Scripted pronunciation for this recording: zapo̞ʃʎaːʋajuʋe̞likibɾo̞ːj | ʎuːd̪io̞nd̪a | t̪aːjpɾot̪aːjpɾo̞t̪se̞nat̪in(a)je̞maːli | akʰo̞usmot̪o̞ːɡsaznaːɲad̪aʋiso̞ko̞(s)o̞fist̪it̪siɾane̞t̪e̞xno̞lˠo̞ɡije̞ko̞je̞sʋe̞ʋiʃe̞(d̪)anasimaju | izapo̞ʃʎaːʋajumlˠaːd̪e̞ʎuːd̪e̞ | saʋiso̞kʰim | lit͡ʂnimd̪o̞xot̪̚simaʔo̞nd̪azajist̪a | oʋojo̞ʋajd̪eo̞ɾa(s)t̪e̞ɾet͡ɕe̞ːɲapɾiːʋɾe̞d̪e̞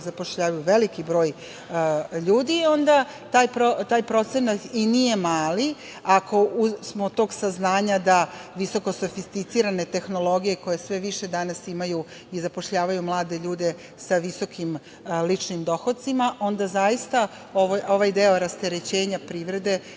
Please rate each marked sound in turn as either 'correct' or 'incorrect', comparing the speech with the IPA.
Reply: incorrect: i, correct, correct, correct

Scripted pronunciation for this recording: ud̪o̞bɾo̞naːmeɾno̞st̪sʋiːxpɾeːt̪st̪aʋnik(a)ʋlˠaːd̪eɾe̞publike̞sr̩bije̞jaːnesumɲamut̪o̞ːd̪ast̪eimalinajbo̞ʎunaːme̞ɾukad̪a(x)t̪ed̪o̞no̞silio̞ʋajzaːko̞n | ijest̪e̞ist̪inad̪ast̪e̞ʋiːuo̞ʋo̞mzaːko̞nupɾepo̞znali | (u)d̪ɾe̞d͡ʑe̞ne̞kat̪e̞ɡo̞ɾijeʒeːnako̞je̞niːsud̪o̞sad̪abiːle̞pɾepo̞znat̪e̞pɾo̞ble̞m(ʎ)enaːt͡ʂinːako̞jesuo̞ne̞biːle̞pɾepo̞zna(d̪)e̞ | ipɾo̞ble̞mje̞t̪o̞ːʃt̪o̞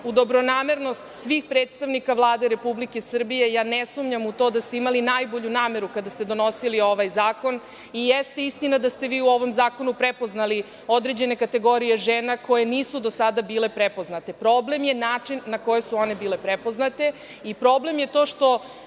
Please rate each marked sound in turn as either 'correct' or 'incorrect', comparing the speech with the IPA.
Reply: correct, incorrect: s, incorrect: o, incorrect: j, incorrect: t̪

